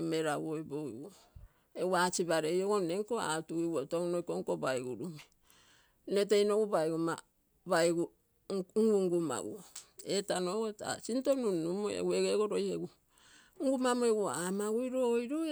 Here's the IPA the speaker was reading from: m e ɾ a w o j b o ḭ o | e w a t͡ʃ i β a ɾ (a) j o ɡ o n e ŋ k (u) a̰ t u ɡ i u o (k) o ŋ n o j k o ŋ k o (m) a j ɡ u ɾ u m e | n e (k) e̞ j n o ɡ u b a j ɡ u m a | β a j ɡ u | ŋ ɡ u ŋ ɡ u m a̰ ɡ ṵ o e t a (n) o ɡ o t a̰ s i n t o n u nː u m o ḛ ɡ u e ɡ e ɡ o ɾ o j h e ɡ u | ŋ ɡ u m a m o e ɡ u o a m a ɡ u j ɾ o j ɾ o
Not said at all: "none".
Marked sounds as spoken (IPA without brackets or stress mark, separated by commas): e, o, t, b, t, n